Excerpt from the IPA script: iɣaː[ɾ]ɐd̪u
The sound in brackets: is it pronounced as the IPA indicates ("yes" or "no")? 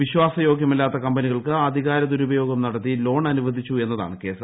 yes